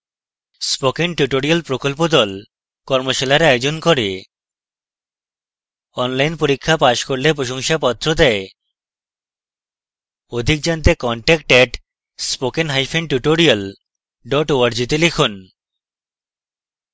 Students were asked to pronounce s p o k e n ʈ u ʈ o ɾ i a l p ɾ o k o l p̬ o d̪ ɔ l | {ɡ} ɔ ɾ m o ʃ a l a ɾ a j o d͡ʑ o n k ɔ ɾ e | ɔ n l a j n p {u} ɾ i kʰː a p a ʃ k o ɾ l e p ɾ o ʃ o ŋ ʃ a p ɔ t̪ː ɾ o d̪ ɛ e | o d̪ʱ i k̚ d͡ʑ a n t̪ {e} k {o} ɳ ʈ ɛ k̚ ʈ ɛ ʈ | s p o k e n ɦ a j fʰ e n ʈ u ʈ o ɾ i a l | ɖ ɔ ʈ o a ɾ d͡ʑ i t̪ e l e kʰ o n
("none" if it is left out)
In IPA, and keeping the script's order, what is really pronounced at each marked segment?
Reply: k, o, e, ɔ

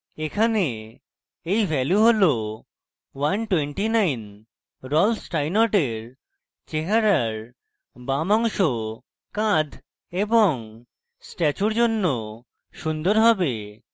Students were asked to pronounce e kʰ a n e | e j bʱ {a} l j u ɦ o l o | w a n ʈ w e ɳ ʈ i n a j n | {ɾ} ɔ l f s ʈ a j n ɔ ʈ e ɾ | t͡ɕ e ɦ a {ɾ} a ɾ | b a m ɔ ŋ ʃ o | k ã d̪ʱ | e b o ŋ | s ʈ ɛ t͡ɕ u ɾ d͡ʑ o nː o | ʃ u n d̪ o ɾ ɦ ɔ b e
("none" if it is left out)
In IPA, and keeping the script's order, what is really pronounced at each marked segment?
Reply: ɛ, ɾ, ɾ

